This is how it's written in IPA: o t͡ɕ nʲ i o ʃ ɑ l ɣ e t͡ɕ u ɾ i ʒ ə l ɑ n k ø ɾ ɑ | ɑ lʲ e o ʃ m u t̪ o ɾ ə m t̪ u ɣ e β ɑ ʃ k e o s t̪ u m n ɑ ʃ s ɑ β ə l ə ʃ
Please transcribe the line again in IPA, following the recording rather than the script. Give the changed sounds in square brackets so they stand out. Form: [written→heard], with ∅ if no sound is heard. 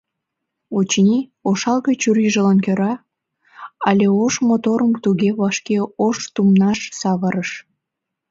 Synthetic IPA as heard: o t͡ɕ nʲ i o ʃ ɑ l ɣ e t͡ɕ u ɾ i ʒ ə l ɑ n k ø ɾ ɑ | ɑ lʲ e o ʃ m [u→o] t̪ o ɾ ə m t̪ u ɣ e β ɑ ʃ k e o [s→ʃ] t̪ u m n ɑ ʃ s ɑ β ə [l→ɾ] ə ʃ